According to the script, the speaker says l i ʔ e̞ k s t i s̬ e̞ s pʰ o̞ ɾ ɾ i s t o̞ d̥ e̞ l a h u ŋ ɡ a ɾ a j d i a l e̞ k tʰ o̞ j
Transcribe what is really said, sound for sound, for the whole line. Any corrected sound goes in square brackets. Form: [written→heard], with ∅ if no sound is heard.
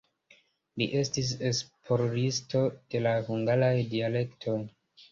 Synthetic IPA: l i ʔ e̞ [k→∅] s t i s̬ e̞ s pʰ o̞ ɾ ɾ i s t o̞ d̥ e̞ l a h u ŋ ɡ a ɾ a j d i a l e̞ k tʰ o̞ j